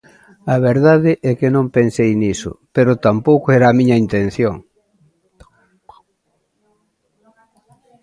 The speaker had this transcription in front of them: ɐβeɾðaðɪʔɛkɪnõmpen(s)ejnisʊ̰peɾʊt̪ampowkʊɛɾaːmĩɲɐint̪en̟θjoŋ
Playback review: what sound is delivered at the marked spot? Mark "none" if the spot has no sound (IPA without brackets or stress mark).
s